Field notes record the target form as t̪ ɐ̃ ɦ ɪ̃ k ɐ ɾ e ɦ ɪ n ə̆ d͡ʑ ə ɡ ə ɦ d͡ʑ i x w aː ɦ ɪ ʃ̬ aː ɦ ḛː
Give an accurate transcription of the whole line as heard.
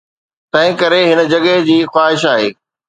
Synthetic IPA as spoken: t̪ ɐ̃ ɦ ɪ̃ k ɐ ɾ e ɦ ɪ n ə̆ d͡ʑ ɐ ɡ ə ɦ d͡ʑ iː x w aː ɦ ɪ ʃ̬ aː ɦ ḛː